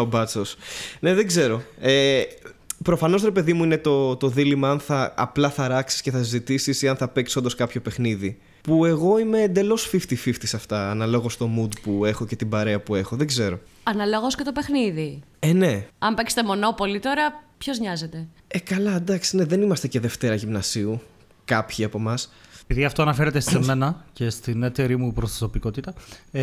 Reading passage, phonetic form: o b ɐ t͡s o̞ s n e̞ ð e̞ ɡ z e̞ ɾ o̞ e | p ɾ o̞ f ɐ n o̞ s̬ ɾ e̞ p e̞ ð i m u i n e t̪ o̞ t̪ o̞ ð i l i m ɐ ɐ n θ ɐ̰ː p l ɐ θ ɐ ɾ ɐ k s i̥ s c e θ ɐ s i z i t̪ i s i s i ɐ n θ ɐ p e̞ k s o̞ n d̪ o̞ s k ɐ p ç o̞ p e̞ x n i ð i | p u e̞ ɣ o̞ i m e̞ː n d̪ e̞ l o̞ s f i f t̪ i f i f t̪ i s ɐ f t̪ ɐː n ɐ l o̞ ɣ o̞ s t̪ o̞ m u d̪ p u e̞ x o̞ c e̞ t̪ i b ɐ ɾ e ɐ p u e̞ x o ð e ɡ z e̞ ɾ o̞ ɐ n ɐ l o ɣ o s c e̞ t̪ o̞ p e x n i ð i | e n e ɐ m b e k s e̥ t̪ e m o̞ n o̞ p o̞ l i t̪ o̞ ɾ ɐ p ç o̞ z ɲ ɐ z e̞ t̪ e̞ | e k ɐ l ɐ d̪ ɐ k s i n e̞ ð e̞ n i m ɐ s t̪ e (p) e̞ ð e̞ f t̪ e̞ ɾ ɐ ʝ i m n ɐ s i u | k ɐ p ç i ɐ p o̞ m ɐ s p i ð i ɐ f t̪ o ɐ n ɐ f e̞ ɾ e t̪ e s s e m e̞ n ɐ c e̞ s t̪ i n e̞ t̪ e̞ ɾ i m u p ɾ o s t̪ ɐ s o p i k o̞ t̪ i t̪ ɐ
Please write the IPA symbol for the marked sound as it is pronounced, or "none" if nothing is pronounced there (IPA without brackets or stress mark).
c